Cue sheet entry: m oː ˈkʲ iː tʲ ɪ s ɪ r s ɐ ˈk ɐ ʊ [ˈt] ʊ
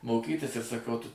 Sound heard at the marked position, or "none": t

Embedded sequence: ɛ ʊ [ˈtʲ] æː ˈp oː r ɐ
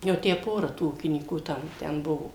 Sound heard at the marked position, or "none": tʲ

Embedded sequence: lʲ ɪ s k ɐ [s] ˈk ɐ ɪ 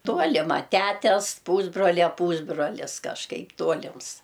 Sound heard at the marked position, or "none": ʃ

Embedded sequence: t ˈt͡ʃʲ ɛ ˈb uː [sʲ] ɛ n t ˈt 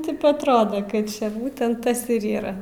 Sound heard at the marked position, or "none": tʲ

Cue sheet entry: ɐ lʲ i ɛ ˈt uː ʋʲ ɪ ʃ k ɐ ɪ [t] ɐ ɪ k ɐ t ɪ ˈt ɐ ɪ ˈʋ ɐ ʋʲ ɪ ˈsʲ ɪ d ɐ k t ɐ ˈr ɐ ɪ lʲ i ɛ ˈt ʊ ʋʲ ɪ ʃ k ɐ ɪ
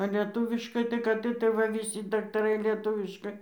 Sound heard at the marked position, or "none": t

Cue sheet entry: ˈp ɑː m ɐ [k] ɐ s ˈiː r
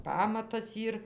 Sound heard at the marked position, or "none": t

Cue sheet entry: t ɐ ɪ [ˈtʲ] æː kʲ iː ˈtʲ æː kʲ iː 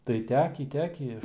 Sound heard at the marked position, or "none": tʲ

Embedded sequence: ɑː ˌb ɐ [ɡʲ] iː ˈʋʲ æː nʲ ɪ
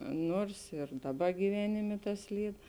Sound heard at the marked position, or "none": ɡʲ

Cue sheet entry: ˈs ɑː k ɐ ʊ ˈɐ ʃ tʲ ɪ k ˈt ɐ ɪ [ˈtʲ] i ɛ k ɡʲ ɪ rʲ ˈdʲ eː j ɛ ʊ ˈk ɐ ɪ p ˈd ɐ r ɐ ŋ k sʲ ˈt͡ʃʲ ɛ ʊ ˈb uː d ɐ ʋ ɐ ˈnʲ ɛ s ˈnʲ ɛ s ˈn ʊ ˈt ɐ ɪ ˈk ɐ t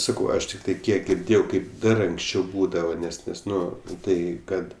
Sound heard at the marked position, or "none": kʲ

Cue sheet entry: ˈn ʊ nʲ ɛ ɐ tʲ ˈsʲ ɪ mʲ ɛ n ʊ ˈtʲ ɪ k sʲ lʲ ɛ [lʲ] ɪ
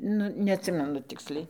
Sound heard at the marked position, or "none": none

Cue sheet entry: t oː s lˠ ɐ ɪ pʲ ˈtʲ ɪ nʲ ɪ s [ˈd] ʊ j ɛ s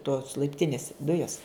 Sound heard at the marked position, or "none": d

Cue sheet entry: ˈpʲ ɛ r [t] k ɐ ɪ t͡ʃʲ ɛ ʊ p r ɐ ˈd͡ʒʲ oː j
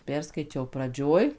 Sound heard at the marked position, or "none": s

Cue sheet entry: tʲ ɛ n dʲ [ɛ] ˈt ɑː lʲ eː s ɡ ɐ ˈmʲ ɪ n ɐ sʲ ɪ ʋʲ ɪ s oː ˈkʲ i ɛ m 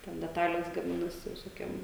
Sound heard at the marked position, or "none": ɛ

